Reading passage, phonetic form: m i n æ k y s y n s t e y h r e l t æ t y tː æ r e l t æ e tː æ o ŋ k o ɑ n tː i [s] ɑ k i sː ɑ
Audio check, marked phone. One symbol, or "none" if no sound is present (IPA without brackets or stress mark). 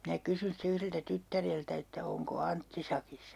s